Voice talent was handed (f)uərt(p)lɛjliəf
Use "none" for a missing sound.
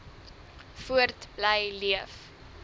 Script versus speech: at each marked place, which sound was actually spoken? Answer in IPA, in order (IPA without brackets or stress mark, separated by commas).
f, b